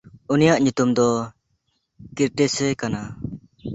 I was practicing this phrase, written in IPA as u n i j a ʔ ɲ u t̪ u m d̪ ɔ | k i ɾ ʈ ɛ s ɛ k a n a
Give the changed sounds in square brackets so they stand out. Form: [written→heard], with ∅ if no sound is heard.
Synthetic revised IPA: u n i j a ʔ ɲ u t̪ u m d̪ ɔ | k i ɾ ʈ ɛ s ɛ k a n a